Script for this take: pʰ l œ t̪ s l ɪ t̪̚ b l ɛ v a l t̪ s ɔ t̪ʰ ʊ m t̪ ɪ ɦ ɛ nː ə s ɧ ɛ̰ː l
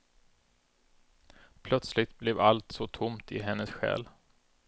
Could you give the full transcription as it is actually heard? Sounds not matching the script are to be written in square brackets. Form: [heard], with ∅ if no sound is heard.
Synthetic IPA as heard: pʰ l œ t̪ s l ɪ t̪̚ b l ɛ v a l t̪ s ɔ t̪ʰ ʊ m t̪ ɪ ɦ ɛ nː ə s ɧ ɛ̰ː l